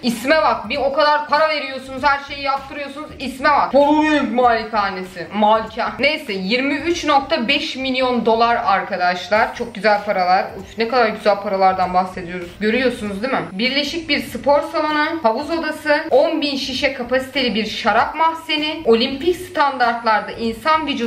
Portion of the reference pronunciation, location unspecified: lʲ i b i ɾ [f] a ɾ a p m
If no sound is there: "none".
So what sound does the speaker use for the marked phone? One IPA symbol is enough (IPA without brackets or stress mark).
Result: ʃ